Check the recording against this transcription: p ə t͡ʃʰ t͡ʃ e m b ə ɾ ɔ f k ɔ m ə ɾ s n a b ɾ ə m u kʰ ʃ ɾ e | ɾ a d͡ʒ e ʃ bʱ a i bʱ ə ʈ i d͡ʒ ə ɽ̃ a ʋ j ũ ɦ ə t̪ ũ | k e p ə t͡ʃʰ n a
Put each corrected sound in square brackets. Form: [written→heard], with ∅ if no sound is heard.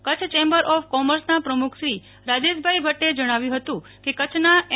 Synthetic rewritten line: [p→k] ə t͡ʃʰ t͡ʃ e m b ə ɾ ɔ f k ɔ m ə ɾ s n a [b→p] ɾ ə m u kʰ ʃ ɾ [e→i] | ɾ a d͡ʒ e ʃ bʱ a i bʱ ə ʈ [i→e] d͡ʒ ə ɽ̃ a ʋ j ũ ɦ ə t̪ ũ | k e [p→k] ə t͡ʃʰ n a